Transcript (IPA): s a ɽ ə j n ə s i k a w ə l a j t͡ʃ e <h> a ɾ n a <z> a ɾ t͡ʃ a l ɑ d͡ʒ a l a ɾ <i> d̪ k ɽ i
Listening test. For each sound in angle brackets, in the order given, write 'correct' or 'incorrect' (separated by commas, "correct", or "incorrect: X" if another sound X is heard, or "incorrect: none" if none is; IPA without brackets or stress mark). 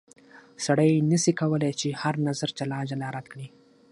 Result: correct, correct, incorrect: a